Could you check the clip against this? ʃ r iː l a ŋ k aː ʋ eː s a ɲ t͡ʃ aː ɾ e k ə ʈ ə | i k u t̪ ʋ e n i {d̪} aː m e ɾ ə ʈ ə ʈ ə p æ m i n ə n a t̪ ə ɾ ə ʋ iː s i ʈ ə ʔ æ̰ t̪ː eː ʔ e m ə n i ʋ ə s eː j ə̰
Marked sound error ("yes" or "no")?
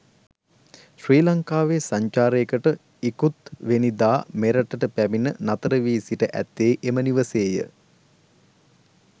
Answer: no